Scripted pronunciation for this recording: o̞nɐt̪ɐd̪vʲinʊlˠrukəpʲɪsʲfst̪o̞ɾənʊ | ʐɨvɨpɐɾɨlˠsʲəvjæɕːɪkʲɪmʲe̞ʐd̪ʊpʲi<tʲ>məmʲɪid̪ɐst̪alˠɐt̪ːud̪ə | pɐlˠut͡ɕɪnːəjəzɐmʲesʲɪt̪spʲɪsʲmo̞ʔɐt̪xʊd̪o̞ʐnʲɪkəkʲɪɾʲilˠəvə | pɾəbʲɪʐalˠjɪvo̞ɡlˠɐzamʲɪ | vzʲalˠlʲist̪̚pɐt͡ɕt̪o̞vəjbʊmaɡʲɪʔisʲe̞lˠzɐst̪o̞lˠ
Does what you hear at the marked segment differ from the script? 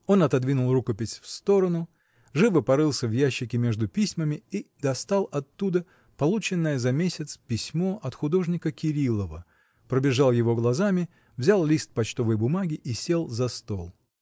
yes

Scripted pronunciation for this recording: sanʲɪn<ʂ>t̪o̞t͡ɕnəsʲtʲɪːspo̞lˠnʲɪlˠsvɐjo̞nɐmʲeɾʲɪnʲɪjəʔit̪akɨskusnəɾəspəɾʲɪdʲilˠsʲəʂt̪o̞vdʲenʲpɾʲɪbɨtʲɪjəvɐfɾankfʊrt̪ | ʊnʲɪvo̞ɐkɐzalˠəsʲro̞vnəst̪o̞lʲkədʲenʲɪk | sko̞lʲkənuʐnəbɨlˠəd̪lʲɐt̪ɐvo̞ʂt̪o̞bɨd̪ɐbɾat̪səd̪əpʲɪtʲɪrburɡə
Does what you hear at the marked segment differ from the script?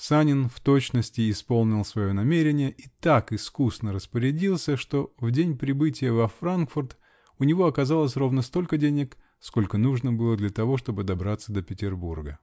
yes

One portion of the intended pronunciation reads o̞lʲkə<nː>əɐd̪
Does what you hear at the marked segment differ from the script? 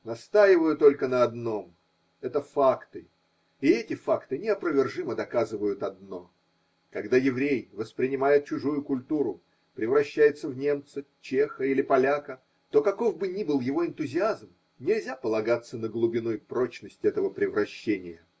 yes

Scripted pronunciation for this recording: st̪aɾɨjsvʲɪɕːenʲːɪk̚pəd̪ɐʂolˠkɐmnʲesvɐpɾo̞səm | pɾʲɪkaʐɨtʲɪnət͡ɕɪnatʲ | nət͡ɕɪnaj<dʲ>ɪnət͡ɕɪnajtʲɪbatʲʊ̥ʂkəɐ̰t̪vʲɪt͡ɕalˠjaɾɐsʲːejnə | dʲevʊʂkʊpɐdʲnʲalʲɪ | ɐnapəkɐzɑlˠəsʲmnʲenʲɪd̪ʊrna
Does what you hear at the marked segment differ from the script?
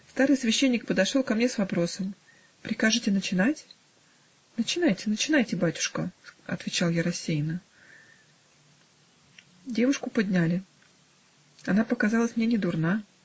yes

